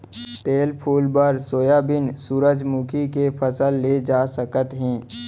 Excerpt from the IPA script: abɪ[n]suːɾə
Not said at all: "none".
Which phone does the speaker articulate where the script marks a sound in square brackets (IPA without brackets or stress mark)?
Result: n